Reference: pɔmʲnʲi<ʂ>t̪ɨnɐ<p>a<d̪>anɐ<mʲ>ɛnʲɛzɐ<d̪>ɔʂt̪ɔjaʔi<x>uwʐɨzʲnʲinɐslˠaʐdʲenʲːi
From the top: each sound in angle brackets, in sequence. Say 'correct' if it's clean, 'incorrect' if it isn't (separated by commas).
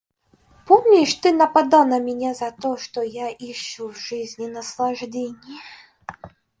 correct, correct, correct, correct, incorrect, incorrect